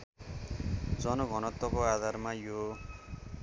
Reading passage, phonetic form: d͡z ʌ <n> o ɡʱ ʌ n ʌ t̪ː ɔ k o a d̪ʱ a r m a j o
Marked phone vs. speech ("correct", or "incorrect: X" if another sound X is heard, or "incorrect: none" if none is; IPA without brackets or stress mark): correct